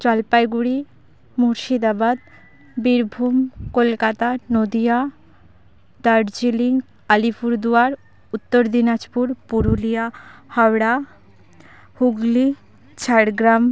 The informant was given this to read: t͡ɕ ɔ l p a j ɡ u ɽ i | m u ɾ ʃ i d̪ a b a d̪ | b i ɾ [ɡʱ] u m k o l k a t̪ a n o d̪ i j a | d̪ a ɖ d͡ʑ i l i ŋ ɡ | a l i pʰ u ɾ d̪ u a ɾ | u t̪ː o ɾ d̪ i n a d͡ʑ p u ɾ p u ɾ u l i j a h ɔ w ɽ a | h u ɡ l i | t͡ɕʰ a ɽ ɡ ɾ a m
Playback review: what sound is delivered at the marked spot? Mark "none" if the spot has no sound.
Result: bʱ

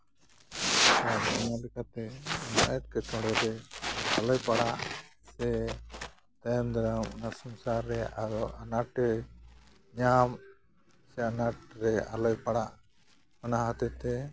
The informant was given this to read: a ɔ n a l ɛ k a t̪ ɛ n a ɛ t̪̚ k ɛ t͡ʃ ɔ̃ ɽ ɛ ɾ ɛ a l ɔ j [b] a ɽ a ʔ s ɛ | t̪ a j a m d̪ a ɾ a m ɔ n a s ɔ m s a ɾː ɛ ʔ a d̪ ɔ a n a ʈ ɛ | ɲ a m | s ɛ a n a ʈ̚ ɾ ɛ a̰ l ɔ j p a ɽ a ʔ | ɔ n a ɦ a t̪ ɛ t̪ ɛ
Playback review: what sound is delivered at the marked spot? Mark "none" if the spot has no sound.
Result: p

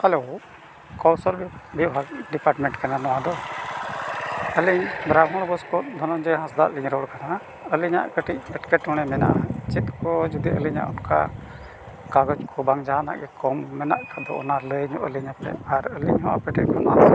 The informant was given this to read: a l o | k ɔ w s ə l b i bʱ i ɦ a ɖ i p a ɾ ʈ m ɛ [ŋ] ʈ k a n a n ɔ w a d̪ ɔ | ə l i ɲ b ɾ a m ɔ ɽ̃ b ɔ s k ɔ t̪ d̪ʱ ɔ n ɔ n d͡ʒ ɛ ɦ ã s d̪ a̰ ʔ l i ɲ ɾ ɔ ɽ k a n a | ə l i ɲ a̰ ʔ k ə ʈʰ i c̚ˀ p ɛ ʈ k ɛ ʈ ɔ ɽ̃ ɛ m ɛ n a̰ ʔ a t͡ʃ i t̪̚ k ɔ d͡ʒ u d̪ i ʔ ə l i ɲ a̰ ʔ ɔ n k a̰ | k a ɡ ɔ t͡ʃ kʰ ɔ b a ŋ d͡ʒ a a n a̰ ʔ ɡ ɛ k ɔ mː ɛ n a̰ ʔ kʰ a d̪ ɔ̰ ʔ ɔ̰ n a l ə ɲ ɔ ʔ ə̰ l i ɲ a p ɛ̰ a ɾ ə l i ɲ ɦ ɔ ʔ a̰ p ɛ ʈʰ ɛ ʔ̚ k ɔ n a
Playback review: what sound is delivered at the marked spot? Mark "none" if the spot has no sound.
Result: ɳ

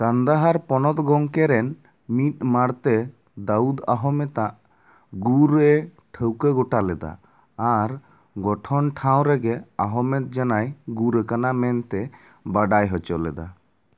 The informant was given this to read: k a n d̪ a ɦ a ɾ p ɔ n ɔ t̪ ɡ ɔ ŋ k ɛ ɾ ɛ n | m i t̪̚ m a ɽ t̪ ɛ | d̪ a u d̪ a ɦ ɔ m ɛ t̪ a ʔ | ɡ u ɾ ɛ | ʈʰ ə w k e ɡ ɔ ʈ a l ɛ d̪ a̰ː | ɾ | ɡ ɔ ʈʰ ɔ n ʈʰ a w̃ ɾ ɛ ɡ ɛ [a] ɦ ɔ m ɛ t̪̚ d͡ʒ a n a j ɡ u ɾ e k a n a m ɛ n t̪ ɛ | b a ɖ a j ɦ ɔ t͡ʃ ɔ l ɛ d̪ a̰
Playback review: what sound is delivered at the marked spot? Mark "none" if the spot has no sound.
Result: a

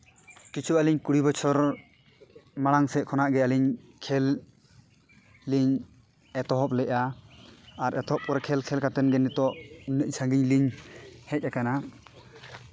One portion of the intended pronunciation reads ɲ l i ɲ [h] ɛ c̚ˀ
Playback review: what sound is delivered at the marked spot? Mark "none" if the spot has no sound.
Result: h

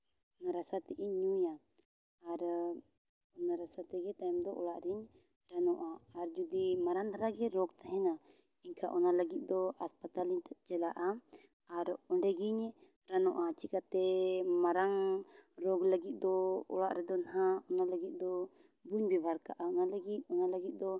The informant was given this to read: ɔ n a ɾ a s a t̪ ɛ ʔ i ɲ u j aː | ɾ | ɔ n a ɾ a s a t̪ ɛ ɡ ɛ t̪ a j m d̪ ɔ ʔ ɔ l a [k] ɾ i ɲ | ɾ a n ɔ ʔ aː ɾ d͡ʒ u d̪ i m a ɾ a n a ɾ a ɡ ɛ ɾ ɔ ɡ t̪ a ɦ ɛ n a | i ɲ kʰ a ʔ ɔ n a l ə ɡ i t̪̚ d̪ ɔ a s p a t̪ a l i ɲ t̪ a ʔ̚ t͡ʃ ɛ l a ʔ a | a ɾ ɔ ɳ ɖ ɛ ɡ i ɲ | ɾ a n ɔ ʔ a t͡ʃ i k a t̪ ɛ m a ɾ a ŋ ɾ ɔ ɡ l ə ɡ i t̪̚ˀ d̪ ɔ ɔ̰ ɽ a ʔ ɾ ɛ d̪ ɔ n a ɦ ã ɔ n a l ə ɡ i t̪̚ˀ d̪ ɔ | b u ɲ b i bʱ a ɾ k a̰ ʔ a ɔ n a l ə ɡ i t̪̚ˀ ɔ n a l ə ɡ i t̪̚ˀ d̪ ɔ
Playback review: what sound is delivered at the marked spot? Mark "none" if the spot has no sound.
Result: ʔ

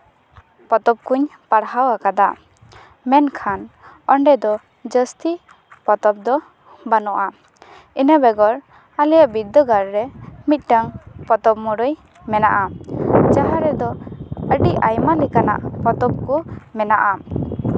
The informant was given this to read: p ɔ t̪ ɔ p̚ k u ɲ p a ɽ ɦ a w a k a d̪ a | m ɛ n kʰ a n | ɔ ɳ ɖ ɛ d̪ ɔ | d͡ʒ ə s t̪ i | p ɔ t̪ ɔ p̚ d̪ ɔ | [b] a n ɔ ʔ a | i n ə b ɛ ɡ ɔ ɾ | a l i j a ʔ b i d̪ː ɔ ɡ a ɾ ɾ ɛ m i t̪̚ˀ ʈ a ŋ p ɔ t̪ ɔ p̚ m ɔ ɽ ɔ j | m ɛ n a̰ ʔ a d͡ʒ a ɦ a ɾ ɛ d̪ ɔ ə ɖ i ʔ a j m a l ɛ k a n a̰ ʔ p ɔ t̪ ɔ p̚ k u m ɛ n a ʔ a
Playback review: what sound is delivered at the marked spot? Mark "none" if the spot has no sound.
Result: b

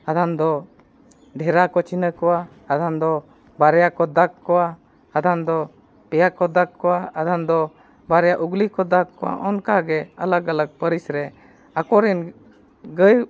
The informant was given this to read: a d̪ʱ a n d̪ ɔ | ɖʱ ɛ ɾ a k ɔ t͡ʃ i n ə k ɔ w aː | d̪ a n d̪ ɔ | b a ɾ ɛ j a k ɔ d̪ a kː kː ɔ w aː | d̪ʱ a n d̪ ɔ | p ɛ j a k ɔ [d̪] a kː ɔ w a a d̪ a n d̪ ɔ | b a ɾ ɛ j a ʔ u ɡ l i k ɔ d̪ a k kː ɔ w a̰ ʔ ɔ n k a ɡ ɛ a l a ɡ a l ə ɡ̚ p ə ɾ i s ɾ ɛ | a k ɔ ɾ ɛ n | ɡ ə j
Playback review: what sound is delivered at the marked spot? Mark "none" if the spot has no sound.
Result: d̪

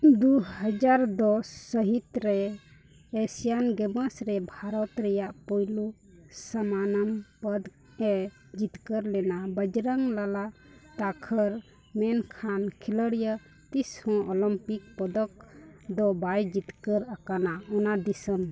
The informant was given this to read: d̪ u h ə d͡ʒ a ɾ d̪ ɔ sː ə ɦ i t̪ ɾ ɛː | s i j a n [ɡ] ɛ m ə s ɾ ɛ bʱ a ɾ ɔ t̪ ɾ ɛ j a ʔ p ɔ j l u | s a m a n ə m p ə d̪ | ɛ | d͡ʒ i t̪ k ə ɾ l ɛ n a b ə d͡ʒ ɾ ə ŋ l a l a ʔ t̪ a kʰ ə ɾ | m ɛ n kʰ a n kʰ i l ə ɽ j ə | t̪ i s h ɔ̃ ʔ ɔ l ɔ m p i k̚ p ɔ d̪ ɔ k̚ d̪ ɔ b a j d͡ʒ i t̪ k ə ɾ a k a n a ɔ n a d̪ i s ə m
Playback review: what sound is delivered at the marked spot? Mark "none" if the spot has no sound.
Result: ɡ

